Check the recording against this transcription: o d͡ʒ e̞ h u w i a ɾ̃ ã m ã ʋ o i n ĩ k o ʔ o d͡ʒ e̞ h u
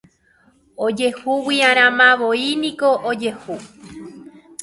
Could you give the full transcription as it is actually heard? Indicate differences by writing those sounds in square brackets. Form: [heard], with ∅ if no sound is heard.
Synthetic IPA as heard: o d͡ʒ e̞ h u w i a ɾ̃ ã m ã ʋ o i n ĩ k o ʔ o d͡ʒ e̞ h u